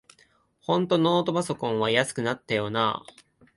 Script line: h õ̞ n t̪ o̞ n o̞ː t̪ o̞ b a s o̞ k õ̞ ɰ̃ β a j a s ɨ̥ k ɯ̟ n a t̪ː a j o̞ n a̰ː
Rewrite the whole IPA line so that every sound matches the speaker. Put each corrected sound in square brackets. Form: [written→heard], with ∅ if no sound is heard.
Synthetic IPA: h õ̞ n t̪ o̞ n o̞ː t̪ o̞ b a s o̞ k õ̞ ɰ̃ β a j a s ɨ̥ k ɯ̟ n a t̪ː a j o̞ n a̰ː